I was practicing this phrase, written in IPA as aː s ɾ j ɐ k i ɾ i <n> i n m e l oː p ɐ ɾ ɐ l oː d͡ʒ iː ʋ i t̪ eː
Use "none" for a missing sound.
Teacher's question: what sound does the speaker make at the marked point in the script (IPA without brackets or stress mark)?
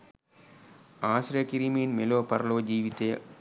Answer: m